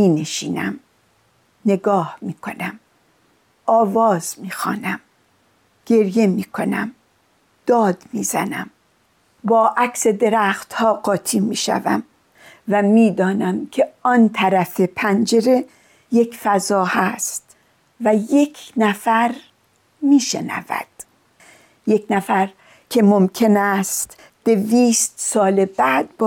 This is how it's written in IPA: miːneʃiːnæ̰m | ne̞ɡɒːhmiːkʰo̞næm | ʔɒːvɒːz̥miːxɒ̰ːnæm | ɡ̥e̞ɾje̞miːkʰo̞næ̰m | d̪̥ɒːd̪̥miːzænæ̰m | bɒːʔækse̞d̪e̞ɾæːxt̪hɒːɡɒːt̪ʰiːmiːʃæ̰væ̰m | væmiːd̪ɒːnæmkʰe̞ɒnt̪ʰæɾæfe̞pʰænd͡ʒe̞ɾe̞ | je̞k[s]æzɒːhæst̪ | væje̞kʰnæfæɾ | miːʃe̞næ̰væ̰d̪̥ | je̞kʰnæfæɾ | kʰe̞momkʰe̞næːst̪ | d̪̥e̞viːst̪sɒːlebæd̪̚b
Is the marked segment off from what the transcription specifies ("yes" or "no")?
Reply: yes